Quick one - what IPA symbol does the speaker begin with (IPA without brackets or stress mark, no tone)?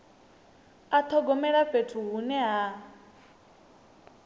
a